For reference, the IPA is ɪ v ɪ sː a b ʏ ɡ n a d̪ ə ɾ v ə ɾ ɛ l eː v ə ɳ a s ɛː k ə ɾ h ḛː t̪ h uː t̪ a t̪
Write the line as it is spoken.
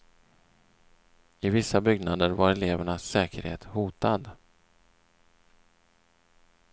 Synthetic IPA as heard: ɪ v ɪ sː a b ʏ ɡ n a d̪ ə ɾ v a ɾ ɛ l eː v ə ɳ a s ɛː k ə ɾ h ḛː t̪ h uː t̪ a d̪